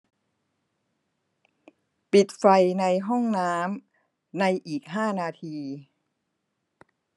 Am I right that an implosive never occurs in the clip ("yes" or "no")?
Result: yes